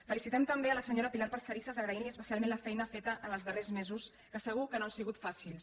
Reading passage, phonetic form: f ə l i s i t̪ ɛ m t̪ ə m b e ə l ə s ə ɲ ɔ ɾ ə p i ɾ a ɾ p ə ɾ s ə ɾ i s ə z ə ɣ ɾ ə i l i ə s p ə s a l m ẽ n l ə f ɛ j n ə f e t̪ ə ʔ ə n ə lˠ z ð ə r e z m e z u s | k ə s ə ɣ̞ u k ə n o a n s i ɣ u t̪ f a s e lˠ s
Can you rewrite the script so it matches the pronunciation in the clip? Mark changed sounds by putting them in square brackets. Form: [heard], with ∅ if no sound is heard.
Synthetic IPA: f ə l i s i t̪ ɛ m t̪ ə m b e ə l ə s ə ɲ [o] ɾ ə p i [l] a ɾ p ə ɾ s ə ɾ i s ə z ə ɣ ɾ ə i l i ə s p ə s a l m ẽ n l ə f ɛ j n ə f e t̪ ə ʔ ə n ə lˠ z ð ə r e z m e z u s | k ə s ə ɣ̞ u k ə n o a n s i ɣ u t̪ f a s [i] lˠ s